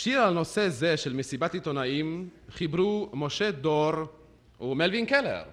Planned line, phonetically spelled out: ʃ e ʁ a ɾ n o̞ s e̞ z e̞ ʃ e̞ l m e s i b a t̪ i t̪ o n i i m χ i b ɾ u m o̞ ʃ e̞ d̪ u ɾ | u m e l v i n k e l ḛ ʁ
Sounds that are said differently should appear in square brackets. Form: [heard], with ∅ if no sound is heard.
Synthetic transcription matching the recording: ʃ [i] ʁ a [l] n o̞ s e̞ z e̞ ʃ e̞ l m e s i b a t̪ i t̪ o n [a] i m χ i b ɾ u m o̞ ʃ e̞ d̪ [o] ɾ | u m e l v i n k e l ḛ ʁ